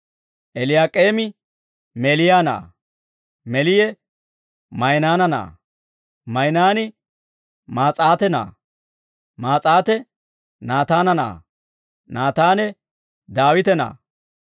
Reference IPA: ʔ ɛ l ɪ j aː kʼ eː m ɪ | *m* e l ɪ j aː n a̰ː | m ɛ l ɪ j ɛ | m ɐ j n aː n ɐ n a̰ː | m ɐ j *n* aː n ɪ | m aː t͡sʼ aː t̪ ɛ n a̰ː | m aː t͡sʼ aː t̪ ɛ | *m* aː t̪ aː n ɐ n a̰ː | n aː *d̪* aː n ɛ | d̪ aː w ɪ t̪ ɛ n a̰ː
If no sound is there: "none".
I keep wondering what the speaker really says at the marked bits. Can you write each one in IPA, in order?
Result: m, n, n, t̪

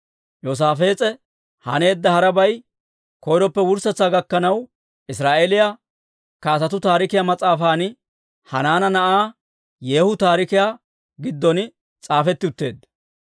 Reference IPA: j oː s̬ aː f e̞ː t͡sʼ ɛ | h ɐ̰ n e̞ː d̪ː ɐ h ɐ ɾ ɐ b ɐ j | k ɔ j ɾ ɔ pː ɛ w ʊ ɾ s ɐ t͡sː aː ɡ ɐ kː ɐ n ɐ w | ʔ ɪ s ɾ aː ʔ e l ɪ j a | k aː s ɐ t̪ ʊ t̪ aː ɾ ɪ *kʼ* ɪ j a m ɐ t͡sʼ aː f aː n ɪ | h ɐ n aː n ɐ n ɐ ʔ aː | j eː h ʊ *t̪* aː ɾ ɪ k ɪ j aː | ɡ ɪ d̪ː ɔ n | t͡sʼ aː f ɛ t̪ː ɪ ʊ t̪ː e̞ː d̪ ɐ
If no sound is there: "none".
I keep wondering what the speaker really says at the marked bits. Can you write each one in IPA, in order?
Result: k, t̪

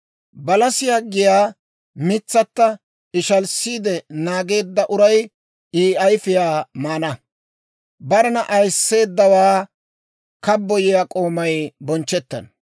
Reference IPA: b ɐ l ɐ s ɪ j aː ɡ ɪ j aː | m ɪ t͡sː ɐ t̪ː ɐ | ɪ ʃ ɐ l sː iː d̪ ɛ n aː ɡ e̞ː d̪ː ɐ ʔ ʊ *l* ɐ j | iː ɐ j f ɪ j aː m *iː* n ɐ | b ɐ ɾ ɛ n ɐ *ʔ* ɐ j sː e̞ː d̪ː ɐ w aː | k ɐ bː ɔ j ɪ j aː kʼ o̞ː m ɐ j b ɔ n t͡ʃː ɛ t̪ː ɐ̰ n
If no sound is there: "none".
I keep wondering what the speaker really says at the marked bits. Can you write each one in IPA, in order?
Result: ɾ, aː, ʔ

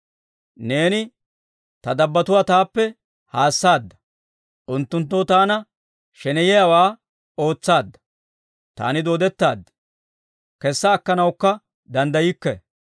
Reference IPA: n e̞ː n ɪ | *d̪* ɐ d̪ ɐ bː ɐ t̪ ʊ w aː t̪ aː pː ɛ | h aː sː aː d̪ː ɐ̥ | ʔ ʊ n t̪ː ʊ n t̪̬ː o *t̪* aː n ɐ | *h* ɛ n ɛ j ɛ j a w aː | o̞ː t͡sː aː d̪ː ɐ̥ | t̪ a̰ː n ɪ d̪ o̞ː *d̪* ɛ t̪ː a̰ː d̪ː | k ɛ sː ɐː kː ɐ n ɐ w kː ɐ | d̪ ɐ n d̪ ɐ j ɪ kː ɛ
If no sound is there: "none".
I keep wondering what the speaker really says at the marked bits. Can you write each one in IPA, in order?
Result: t̪, t̪, ʃ, d̪

